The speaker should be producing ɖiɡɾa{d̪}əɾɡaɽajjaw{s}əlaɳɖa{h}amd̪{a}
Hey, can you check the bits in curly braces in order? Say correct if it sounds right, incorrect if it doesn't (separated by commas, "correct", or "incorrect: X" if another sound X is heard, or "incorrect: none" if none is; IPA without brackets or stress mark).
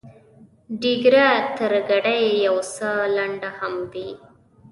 incorrect: t̪, correct, correct, incorrect: i